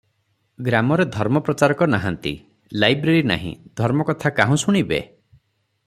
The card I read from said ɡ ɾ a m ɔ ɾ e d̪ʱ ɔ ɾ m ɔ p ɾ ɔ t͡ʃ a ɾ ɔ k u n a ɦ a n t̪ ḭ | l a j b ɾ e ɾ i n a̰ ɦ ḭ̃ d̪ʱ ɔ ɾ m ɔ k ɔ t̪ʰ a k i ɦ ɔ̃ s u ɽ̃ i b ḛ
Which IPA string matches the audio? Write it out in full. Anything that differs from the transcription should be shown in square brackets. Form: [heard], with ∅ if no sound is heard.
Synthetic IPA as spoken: ɡ ɾ a m ɔ ɾ e d̪ʱ ɔ ɾ m ɔ p ɾ ɔ t͡ʃ a ɾ ɔ k [ɔ] n a ɦ a n t̪ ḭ | l a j b ɾ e ɾ i n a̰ ɦ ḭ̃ d̪ʱ ɔ ɾ m ɔ k ɔ t̪ʰ a k [a] ɦ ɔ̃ s u ɽ̃ i b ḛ